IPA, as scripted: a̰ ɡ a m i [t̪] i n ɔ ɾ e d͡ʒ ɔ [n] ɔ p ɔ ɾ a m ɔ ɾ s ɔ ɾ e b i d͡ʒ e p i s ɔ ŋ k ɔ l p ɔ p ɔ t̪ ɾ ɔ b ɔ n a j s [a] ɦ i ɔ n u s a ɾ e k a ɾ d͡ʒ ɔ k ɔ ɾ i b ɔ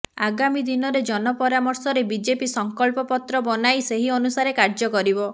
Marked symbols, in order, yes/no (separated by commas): no, yes, no